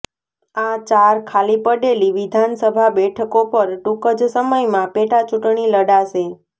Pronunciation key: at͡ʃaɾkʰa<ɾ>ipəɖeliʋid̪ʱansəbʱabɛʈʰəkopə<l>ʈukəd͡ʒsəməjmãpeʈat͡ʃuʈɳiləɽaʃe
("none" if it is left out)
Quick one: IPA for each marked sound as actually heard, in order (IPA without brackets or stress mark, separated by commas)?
l, ɾ